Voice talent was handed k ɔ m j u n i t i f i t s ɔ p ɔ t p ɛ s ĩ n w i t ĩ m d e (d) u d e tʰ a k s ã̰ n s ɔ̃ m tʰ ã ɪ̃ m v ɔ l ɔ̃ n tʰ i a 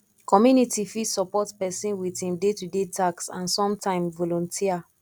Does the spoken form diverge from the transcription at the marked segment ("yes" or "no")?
yes